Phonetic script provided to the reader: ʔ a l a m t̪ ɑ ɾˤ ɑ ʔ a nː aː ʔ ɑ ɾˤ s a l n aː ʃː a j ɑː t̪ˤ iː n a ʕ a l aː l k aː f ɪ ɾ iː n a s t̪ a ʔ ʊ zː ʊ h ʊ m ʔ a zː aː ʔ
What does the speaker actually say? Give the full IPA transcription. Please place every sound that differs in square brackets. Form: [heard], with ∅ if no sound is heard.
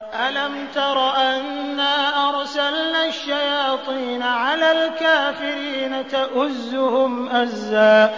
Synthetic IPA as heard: ʔ a l a m t̪ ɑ ɾˤ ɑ ʔ a nː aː ʔ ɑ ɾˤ s a l n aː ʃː a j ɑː t̪ˤ iː n a ʕ a l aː l k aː f ɪ ɾ iː n a [∅] t̪ a ʔ ʊ zː ʊ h ʊ m ʔ a zː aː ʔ

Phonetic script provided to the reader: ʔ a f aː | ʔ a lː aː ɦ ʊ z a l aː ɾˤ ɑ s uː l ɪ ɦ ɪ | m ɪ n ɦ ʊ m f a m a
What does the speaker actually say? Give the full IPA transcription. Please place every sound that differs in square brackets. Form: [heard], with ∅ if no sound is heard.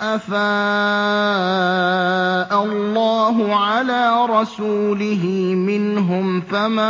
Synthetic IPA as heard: ʔ a f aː | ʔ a lː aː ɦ ʊ [ʕ] a l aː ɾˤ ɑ s uː l ɪ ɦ ɪ | m ɪ n ɦ ʊ m f a m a

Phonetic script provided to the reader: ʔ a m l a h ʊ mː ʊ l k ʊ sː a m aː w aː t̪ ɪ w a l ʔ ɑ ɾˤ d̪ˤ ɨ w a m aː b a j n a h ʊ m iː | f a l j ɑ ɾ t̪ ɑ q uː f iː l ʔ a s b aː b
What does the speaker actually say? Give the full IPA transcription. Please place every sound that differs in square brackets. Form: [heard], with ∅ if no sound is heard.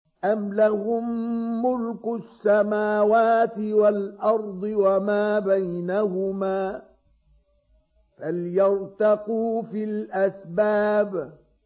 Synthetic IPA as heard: ʔ a m l a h ʊ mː ʊ l k ʊ sː a m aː w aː t̪ ɪ w a l ʔ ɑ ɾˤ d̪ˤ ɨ w a m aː b a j n a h ʊ m [aː] | f a l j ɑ ɾ t̪ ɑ q uː f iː l ʔ a s b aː b

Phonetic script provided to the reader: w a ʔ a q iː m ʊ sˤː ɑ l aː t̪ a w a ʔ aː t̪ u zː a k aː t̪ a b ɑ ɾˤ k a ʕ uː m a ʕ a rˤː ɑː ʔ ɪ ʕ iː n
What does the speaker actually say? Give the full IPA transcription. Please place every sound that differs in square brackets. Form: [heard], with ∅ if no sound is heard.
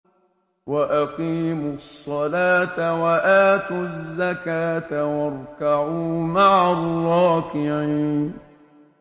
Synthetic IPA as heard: w a ʔ a q iː m ʊ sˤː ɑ l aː t̪ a w a ʔ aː t̪ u zː a k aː t̪ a [w] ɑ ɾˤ k a ʕ uː m a ʕ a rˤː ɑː [k] ɪ ʕ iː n

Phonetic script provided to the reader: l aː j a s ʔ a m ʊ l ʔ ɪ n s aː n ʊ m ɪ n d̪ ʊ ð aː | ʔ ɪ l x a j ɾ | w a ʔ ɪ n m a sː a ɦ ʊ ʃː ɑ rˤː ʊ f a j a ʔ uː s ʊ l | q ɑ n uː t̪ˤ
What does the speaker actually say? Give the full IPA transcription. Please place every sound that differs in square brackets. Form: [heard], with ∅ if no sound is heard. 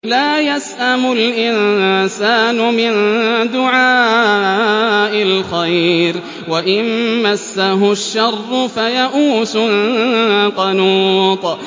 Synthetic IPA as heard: l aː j a s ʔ a m ʊ l ʔ ɪ n s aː n ʊ m ɪ n d̪ ʊ [ʕ] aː | ʔ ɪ l x a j ɾ | w a ʔ ɪ n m a sː a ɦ ʊ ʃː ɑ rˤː ʊ f a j a ʔ uː s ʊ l | q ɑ n uː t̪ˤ

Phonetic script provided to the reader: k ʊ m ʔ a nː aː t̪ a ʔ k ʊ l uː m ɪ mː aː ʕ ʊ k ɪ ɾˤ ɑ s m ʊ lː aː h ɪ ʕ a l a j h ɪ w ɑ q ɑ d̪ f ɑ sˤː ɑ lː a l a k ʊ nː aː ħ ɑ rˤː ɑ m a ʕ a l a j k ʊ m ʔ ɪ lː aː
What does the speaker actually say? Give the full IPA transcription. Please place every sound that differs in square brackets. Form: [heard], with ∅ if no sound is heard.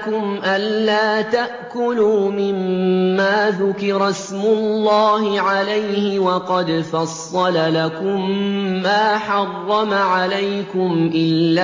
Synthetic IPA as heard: k ʊ m ʔ a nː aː t̪ a ʔ k ʊ l uː m ɪ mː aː [ð] ʊ k ɪ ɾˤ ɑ s m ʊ lː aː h ɪ ʕ a l a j h ɪ w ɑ q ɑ d̪ f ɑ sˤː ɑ [l] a l a k ʊ [mː] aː ħ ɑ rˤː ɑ m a ʕ a l a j k ʊ m ʔ ɪ lː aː

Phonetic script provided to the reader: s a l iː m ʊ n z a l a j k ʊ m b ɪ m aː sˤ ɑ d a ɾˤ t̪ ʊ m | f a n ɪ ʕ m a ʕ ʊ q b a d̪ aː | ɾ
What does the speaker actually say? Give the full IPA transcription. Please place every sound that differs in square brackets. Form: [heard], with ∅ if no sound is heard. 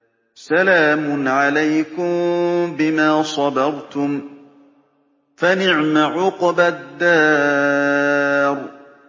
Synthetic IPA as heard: s a l [aː] m ʊ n [ʕ] a l a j k ʊ m b ɪ m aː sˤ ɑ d [ɑ] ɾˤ t̪ ʊ m | f a n ɪ ʕ m a ʕ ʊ q b a [d̪ː] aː | ɾ

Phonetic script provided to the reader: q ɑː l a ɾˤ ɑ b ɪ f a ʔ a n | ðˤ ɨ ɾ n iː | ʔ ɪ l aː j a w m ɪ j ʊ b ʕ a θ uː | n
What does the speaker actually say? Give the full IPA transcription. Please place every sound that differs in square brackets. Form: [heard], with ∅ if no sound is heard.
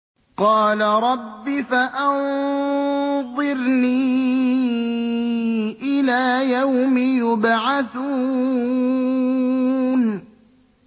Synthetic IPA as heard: q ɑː l a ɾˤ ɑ [bː] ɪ f a ʔ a n | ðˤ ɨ ɾ n iː | ʔ ɪ l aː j a w m ɪ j ʊ b ʕ a θ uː | n

